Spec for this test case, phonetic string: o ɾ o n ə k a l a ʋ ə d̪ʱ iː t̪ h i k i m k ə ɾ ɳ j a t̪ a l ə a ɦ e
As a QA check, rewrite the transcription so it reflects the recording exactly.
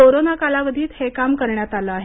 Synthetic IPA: o ɾ o n a k a l a ʋ ə d̪ʱ iː t̪ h e k a m k ə ɾ ɳ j a t̪ a l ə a ɦ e